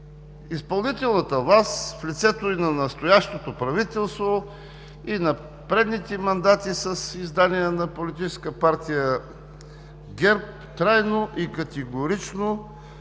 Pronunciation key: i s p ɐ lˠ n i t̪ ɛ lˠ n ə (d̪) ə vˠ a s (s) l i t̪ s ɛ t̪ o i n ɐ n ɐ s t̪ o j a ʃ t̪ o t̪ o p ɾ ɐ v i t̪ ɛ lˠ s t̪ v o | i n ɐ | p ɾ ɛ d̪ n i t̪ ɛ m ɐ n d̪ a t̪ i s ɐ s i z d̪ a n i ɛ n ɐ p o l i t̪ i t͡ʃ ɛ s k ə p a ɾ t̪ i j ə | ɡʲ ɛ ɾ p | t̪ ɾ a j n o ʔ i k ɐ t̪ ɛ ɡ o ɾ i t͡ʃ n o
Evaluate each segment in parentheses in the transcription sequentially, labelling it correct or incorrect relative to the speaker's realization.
incorrect: t̪, incorrect: f

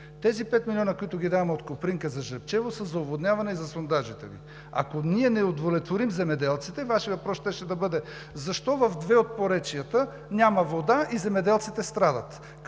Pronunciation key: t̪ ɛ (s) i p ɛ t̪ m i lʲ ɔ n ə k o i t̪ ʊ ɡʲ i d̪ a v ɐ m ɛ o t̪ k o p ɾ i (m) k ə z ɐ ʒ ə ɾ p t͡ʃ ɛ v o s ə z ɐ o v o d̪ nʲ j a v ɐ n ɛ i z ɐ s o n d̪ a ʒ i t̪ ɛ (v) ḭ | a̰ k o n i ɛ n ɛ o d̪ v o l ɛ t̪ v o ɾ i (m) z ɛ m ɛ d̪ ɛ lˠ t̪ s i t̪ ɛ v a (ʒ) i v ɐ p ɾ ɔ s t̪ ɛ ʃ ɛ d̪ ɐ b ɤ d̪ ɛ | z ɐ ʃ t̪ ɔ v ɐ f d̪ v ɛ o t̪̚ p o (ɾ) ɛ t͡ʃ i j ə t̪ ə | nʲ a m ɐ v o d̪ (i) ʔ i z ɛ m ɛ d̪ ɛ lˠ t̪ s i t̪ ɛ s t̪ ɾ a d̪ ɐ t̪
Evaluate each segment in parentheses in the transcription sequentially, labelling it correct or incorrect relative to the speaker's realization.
incorrect: z, incorrect: ŋ, correct, correct, incorrect: ʃ, correct, incorrect: a

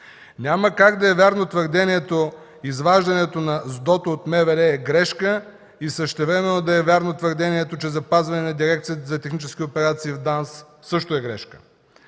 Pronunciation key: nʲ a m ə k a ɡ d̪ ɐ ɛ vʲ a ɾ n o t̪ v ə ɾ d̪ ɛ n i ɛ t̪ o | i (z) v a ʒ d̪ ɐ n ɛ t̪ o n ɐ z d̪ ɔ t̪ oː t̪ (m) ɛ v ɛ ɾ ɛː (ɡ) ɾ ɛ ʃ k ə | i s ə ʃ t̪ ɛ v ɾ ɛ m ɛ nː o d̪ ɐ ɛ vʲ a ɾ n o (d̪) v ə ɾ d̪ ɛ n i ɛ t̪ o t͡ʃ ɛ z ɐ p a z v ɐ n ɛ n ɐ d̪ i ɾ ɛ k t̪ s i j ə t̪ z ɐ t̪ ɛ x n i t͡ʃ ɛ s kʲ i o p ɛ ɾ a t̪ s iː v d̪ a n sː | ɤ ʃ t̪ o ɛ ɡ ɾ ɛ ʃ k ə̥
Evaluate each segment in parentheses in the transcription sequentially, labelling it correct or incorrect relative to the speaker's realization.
correct, correct, correct, incorrect: t̪

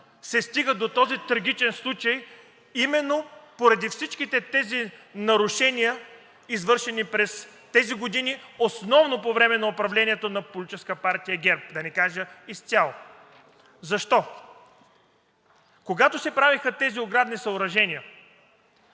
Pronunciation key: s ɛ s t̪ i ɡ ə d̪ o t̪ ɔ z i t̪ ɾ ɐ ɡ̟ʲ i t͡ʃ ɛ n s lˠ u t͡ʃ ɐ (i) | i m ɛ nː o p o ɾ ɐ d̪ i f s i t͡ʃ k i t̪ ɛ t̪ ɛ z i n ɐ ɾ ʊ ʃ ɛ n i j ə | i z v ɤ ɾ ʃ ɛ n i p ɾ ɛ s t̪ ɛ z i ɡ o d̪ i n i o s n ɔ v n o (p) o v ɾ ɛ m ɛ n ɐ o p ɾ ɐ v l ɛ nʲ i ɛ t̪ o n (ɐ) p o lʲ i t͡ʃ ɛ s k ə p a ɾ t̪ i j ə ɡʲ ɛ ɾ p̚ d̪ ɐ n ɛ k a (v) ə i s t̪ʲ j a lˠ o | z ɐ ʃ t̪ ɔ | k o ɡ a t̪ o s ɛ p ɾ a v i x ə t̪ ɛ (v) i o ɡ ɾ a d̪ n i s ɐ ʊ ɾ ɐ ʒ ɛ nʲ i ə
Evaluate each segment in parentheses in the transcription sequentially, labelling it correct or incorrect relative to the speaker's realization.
incorrect: j, correct, correct, incorrect: ʒ, incorrect: z

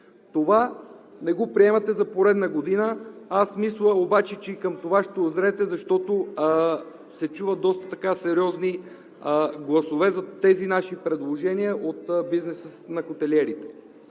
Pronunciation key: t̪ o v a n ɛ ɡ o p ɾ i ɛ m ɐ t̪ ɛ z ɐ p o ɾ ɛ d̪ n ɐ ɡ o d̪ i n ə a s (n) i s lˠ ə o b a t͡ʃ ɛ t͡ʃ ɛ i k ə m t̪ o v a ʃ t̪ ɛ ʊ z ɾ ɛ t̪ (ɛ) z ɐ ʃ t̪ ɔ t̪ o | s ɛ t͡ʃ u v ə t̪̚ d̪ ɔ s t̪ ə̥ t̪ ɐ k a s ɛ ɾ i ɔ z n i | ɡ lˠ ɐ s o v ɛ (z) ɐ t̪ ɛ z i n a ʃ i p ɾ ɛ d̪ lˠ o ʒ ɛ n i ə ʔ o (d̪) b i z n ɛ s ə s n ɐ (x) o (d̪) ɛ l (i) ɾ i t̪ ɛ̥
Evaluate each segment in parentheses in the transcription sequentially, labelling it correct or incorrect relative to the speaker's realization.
incorrect: m, correct, correct, incorrect: t̪, correct, incorrect: t̪, incorrect: ɛ

